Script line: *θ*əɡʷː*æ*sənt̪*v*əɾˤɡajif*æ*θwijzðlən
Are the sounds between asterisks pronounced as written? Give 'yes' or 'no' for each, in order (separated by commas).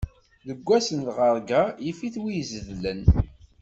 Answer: no, yes, no, no